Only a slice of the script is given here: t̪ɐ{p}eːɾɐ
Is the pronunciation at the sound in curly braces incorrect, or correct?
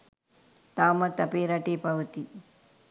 correct